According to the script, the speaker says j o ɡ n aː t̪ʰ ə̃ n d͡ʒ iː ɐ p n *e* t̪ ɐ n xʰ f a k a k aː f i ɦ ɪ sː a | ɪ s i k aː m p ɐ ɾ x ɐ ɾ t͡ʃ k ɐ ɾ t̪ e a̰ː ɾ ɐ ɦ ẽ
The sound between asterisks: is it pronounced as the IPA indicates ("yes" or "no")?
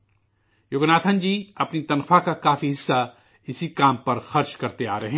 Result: no